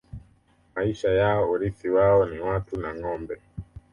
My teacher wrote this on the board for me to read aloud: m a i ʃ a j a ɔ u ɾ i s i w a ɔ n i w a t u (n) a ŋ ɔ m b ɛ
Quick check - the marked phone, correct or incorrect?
correct